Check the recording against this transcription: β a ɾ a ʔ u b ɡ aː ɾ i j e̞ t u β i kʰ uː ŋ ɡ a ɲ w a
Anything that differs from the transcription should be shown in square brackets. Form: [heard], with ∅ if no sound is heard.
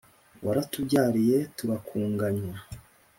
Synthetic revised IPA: [w] a ɾ a [t] u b [ɟ] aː ɾ i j e̞ t u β [a] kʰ uː ŋ ɡ a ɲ w a